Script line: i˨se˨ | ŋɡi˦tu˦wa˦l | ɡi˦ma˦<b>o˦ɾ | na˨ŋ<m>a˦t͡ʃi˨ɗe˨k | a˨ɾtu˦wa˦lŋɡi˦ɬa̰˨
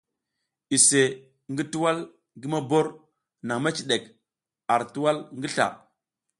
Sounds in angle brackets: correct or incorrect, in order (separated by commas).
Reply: correct, correct